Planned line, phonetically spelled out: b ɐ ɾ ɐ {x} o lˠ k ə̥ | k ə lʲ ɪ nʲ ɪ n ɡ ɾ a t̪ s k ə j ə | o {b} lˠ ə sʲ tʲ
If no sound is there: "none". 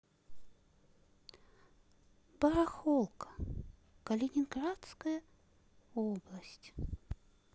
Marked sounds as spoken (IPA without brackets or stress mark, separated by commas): x, b